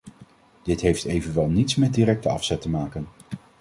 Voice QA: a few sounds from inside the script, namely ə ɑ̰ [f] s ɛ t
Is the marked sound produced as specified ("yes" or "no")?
yes